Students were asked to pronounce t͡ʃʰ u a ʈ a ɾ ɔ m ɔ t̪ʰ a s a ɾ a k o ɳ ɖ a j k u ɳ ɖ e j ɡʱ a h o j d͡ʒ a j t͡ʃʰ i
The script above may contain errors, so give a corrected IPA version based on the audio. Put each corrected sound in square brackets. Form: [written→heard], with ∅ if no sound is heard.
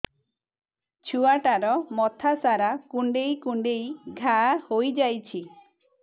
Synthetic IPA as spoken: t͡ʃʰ u a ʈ a ɾ ɔ m ɔ t̪ʰ a s a ɾ a k [o→u] ɳ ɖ [a→e] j k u ɳ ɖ e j ɡʱ a h o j d͡ʒ a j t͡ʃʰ i